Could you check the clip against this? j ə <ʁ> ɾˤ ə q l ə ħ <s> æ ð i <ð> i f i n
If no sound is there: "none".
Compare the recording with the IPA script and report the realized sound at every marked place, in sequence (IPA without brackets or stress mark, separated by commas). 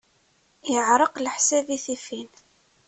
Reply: ʕ, s, θ